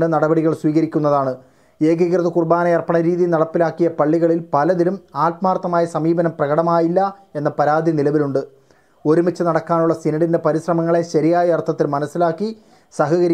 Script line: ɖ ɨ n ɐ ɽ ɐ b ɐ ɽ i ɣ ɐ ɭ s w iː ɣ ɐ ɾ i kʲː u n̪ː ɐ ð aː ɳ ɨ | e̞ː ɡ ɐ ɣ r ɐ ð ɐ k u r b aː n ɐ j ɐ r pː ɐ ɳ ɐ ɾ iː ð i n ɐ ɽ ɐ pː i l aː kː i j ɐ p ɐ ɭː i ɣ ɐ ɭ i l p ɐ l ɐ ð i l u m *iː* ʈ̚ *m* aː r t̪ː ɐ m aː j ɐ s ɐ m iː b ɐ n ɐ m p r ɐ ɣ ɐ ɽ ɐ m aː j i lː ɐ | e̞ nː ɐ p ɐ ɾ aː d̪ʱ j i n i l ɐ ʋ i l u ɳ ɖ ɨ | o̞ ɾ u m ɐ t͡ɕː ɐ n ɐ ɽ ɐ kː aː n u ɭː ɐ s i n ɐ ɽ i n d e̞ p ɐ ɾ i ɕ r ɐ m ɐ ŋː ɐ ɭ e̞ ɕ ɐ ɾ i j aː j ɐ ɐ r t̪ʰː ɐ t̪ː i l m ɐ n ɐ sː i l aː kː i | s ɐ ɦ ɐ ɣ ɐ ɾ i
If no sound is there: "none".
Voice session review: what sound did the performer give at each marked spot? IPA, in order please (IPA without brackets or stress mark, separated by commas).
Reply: aː, m